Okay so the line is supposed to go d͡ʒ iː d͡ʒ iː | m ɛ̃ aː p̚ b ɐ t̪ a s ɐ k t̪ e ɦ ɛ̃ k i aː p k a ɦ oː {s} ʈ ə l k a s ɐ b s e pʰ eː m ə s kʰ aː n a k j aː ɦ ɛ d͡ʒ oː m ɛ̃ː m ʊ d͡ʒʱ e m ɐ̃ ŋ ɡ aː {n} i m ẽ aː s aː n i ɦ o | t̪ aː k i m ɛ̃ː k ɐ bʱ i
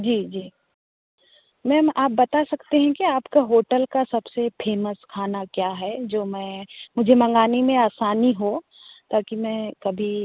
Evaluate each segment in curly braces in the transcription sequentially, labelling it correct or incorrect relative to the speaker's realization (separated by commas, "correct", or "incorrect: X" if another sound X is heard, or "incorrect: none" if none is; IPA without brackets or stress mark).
incorrect: none, correct